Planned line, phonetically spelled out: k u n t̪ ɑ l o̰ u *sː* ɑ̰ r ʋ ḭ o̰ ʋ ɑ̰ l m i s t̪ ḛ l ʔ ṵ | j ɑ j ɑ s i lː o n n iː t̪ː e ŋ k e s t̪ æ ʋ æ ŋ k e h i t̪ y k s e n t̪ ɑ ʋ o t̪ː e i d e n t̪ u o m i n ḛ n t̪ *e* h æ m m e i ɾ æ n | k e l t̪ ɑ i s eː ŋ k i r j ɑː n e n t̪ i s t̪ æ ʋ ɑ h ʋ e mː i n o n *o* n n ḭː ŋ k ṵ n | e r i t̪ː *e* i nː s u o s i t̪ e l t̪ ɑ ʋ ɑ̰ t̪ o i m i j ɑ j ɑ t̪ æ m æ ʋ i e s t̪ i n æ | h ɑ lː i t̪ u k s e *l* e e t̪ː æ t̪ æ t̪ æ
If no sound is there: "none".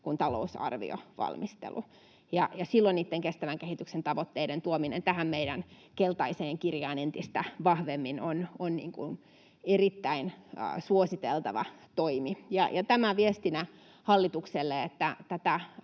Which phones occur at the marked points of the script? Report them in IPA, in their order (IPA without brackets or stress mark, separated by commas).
s, æ, o, æ, lː